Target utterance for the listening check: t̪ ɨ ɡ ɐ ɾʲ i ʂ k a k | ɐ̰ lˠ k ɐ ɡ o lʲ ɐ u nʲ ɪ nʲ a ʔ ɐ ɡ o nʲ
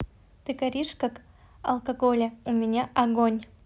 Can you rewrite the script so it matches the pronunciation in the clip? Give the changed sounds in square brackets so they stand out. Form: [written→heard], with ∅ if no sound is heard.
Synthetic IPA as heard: t̪ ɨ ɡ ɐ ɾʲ i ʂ k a k | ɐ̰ lˠ k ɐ ɡ o lʲ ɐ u [nʲ→mʲ] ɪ nʲ a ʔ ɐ ɡ o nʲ